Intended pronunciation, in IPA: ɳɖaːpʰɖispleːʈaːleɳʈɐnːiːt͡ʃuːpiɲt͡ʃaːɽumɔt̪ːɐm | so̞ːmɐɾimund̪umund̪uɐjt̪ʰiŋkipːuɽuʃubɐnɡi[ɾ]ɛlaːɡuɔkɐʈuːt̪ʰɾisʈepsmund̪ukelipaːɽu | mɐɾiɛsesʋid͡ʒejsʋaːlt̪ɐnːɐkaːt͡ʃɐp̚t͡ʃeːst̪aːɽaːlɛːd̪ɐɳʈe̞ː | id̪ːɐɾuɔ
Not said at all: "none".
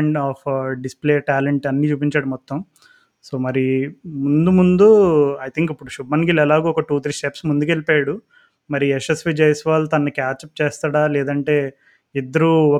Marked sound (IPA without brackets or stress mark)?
l